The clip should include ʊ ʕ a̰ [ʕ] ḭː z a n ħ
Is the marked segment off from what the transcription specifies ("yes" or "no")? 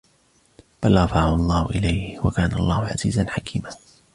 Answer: yes